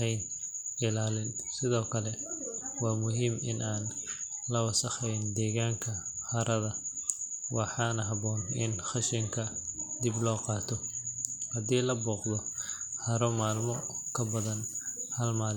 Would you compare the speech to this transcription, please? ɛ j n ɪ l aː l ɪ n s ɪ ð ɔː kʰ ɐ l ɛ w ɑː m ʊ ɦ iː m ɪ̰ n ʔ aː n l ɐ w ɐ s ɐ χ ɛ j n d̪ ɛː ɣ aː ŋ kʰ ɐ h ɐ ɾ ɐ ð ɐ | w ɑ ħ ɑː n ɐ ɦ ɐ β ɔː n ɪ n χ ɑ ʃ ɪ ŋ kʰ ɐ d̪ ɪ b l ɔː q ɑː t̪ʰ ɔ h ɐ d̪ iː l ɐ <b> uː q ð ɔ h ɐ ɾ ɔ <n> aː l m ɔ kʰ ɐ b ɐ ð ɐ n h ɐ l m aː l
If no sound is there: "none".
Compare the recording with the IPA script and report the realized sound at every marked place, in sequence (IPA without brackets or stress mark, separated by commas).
b, m